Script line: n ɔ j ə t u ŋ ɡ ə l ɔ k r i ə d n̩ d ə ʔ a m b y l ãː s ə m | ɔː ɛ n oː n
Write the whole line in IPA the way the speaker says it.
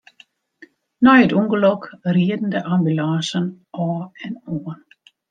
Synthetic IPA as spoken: n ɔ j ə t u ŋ ɡ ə l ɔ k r i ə d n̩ d ə ʔ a m b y l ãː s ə n | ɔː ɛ n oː n